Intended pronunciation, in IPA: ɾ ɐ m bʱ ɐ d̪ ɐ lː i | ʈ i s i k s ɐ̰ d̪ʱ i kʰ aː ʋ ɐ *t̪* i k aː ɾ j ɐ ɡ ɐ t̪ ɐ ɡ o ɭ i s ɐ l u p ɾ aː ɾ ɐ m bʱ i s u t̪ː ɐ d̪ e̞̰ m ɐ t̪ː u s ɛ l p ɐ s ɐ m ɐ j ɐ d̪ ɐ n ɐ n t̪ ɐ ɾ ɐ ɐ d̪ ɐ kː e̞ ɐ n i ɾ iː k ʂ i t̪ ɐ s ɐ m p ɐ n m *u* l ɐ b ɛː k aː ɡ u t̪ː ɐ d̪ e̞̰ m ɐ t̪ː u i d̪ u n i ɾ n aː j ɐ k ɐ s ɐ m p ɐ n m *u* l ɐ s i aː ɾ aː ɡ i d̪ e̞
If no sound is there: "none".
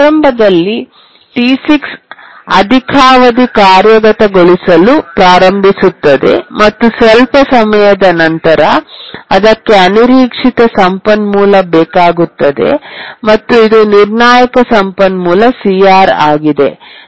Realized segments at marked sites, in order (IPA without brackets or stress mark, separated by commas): d̪, uː, uː